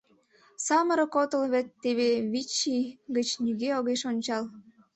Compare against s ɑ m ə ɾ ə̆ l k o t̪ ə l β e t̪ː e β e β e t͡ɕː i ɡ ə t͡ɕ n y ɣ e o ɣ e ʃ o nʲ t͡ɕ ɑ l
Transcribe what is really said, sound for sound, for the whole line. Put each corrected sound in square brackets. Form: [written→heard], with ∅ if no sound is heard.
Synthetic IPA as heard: s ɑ m ə ɾ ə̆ [l→∅] k o t̪ ə l β e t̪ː e β e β [e→i] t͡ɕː i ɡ ə t͡ɕ n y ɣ e o ɣ e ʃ o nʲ t͡ɕ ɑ l